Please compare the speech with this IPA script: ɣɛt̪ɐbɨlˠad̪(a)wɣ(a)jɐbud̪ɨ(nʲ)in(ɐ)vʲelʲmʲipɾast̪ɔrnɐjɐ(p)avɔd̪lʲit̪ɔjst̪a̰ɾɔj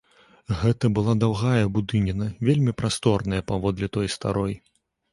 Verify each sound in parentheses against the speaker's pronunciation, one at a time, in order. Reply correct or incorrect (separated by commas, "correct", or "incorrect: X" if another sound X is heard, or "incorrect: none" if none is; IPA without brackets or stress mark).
correct, correct, correct, correct, correct